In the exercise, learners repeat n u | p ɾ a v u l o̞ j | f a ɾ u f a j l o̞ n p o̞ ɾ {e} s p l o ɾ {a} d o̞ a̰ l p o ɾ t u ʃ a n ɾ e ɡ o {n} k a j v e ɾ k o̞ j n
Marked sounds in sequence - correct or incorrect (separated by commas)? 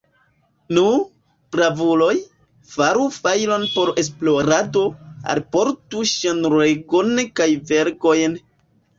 correct, correct, correct